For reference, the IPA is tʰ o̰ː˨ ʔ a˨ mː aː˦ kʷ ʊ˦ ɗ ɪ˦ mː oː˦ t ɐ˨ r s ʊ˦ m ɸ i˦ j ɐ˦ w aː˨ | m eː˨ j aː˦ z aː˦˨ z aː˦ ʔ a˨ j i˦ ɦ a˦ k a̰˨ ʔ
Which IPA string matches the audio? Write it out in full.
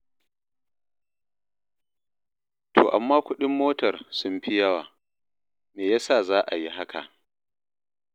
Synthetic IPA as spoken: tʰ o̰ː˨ ʔ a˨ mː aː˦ kʷ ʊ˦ ɗ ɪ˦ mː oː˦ t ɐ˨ r s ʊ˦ m ɸ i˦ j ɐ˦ w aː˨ | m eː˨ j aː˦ s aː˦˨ z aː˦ ʔ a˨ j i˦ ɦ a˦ k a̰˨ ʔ

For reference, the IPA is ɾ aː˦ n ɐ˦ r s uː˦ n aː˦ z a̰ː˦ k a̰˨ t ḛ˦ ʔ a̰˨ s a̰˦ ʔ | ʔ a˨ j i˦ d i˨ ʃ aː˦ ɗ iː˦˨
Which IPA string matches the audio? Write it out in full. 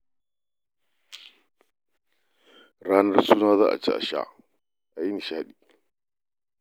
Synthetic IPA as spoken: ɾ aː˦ n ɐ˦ r s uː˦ n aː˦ z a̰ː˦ ʔ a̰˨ t͡ʃ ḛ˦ ʔ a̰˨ ʃ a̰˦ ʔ | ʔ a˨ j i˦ n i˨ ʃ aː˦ ɗ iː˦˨

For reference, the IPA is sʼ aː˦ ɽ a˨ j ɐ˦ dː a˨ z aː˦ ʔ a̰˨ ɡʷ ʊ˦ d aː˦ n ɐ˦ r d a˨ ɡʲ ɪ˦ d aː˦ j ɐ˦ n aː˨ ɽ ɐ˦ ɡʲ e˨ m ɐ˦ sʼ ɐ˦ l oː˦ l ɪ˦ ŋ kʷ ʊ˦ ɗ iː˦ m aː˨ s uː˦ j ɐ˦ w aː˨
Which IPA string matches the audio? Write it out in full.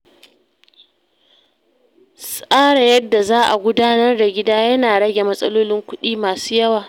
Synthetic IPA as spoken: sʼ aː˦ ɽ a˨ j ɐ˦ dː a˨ z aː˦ ʔ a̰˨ ɡʷ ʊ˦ d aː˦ n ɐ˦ r d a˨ ɡʲ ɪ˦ d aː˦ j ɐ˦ n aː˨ ɽ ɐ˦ ɡʲ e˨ m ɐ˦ sʼ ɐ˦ l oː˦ l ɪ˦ ŋ kʷ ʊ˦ ɗ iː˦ m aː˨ s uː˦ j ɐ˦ w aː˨

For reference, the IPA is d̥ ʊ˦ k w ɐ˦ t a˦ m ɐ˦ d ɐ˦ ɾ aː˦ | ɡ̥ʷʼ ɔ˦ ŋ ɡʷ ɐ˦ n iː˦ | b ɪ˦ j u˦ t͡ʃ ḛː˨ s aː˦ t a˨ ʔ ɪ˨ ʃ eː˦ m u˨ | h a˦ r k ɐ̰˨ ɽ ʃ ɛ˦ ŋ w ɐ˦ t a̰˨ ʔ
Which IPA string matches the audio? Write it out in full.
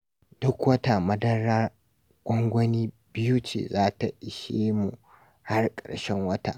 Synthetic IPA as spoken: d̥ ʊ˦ k w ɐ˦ t a˨ m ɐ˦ d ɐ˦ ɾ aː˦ | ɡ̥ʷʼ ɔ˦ ŋ ɡʷ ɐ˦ n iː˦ | b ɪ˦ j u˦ t͡ʃ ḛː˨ z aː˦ t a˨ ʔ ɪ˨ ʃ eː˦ m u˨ | h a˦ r kʼ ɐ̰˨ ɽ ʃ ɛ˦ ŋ w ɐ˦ t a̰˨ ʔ

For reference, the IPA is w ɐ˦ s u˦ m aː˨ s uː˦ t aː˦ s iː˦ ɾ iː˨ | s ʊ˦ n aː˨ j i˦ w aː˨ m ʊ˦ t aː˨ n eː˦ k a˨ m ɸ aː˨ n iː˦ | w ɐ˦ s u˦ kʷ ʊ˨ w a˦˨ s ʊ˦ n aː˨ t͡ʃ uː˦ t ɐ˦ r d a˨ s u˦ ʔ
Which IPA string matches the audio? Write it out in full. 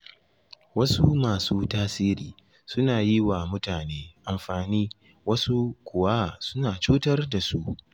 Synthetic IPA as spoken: w ɐ˦ s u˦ m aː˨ s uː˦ t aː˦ s iː˦ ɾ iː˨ | s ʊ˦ n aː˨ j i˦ w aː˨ m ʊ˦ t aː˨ n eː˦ ʔ a˨ m ɸ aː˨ n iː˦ | w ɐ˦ s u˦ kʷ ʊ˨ w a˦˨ s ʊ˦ n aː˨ t͡ʃ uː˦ t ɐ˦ r d a˨ s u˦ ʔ

